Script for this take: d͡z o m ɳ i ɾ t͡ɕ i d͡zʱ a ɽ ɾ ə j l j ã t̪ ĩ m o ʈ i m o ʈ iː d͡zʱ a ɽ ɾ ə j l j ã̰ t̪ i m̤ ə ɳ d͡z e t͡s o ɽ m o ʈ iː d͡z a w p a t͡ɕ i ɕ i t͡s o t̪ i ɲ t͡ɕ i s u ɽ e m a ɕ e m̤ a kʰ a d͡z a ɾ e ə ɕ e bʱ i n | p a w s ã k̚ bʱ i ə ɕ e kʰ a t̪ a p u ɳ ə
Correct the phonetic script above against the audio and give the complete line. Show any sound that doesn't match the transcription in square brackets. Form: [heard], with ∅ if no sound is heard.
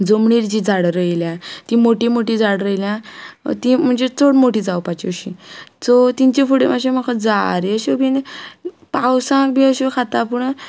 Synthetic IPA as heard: d͡z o m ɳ i ɾ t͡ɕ i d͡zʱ a ɽ ɾ ə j l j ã t̪ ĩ m o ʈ i m o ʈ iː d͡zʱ a ɽ ɾ ə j l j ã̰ t̪ i m̤ ə ɳ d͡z e t͡s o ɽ m o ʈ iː d͡z a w p a t͡ɕ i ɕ i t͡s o t̪ i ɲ t͡ɕ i [f] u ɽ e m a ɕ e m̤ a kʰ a d͡z a ɾ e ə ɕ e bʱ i n | p a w s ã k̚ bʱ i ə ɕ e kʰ a t̪ a p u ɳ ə